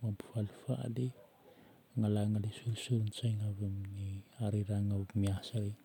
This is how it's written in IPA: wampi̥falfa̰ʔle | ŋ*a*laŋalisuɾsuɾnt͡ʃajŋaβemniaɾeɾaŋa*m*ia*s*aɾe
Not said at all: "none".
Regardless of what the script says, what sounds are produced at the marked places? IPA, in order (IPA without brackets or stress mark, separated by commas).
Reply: a, m, s